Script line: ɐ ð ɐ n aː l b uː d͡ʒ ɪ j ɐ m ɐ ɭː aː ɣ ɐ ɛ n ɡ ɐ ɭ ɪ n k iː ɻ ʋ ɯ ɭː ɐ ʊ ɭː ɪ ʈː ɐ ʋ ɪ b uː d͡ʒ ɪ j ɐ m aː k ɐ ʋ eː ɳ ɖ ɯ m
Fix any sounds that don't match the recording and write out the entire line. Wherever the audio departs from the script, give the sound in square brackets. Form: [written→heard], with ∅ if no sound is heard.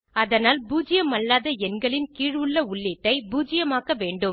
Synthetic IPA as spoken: ɐ ð ɐ n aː l b uː d͡ʒ ɪ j ɐ m ɐ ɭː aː [ɣ→ð] ɐ ɛ n ɡ ɐ ɭ ɪ n k iː ɻ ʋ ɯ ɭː ɐ ʊ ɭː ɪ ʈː ɐ [ʋ→∅] ɪ b uː d͡ʒ ɪ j ɐ m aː k ɐ ʋ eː ɳ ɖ ɯ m